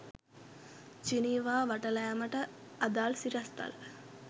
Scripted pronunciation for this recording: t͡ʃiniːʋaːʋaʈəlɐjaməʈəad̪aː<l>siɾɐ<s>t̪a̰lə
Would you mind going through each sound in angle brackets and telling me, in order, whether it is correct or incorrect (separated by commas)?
correct, correct